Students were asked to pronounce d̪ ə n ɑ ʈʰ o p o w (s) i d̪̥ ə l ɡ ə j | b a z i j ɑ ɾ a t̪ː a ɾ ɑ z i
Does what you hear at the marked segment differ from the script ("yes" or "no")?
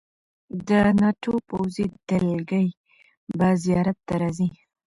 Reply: yes